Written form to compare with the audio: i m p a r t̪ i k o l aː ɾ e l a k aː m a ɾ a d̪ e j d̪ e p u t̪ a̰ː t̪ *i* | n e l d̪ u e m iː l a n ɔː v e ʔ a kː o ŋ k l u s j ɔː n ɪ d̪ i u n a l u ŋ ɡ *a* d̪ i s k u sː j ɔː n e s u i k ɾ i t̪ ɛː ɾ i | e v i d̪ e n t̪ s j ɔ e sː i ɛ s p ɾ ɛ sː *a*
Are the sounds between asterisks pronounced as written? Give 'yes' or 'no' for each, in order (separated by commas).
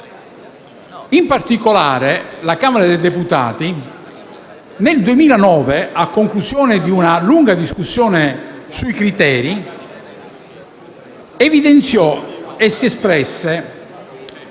yes, yes, no